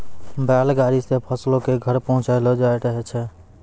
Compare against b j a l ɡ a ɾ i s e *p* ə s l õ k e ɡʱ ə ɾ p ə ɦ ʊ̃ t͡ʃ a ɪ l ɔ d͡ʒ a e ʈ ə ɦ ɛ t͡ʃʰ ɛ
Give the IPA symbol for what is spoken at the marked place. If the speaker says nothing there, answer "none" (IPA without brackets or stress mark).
pʰ